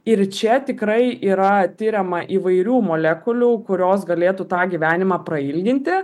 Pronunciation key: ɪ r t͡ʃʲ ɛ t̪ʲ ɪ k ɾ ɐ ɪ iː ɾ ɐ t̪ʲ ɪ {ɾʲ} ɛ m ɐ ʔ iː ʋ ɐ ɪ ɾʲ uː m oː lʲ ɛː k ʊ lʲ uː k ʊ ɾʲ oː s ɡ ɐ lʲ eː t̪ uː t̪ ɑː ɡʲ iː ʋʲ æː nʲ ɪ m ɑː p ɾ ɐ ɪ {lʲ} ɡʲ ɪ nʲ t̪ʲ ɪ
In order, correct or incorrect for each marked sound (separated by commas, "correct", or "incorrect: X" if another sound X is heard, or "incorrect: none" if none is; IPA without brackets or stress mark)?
correct, correct